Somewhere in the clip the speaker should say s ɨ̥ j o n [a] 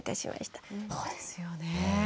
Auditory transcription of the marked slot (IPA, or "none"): e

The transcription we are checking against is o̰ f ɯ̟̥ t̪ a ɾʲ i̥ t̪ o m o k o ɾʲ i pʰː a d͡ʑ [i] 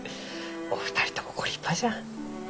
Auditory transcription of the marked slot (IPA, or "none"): a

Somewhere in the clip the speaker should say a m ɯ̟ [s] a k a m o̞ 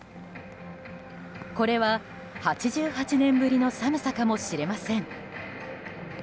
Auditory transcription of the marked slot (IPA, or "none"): s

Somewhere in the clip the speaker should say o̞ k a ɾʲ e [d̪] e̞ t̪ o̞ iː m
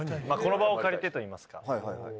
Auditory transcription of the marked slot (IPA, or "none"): t̪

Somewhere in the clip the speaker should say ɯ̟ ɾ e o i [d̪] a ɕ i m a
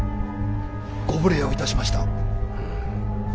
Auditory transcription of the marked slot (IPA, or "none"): t̪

